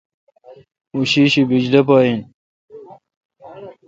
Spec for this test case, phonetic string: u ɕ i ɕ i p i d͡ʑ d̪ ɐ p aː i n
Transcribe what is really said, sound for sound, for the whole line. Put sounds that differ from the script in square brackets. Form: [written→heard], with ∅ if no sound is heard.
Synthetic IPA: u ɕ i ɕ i [p→b] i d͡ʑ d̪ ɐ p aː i n